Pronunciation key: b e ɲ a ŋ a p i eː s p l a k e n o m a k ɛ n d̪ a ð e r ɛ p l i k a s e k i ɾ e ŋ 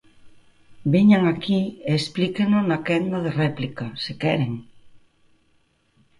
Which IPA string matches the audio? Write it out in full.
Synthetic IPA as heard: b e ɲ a ŋ a k i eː s p l i k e n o n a k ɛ n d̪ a ð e r ɛ p l i k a s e k ɛ ɾ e ŋ